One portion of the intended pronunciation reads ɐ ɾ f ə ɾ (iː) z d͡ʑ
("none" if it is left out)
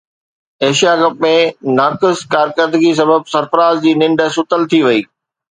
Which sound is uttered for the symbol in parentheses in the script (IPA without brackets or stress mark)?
aː